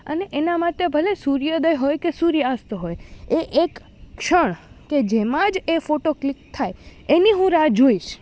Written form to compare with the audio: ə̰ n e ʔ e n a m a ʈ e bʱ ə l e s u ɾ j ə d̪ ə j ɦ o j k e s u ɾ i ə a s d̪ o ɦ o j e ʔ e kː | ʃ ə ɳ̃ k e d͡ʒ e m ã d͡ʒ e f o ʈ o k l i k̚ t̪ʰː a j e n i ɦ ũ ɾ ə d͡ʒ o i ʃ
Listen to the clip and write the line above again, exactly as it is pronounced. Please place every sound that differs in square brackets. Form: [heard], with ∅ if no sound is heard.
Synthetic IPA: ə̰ n e ʔ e n a m a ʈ e bʱ ə l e s u ɾ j ə d̪ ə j ɦ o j k e s u ɾ [j] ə a s [t̪] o ɦ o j e ʔ e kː | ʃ ə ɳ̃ k e d͡ʒ e m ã d͡ʒ e f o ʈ o k l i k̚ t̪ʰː a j e n i ɦ ũ ɾ [a] d͡ʒ o i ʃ